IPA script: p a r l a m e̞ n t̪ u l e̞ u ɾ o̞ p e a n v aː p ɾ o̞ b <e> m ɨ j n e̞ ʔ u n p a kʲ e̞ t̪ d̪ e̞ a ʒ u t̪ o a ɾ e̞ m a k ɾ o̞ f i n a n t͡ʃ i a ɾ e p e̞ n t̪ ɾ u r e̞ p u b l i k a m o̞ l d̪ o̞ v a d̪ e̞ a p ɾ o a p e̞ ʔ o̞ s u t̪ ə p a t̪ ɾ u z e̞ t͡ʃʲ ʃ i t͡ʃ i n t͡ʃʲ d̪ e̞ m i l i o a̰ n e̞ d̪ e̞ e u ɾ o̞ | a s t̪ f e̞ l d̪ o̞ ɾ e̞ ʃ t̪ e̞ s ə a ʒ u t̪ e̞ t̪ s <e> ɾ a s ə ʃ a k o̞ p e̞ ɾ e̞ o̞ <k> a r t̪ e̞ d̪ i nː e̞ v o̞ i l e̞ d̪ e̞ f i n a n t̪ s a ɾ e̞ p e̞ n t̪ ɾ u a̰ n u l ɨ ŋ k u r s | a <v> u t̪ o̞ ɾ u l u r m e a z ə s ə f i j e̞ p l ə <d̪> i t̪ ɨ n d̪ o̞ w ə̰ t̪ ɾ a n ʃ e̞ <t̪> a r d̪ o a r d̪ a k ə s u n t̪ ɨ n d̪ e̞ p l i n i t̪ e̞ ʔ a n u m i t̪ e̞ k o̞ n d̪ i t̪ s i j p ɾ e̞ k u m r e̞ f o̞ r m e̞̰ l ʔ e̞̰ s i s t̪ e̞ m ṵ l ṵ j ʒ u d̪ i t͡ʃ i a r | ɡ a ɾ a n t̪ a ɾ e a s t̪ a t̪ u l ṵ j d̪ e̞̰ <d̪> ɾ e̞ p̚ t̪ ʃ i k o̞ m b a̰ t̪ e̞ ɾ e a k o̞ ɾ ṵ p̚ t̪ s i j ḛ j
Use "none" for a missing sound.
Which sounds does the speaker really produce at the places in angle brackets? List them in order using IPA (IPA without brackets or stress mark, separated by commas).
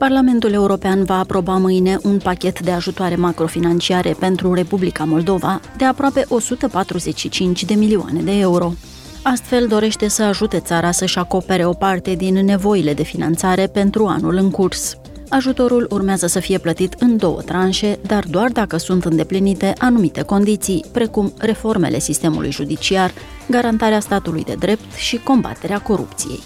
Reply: a, a, p, ʒ, t̪, d̪, d̪